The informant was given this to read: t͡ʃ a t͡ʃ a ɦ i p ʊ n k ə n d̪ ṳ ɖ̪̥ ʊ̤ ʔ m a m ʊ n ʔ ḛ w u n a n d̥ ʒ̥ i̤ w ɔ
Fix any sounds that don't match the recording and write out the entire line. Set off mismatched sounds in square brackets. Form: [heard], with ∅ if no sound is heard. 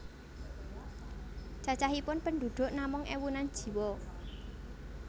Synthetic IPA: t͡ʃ a t͡ʃ a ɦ i p ʊ n [p] ə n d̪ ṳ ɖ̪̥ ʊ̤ ʔ [n] a m ʊ [ŋ] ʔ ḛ w u n a n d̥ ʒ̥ i̤ w ɔ